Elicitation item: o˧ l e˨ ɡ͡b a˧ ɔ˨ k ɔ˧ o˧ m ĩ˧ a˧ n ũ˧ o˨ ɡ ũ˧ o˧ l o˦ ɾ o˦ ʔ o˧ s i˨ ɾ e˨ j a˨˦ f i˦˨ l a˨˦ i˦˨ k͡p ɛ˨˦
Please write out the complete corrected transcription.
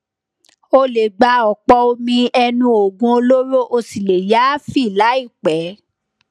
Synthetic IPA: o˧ l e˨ ɡ͡b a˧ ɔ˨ k͡p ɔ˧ o˧ m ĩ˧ ɛ˧ n ũ˧ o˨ ɡ ũ˧ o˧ l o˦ ɾ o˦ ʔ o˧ s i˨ l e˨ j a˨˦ f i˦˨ l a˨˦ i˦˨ k͡p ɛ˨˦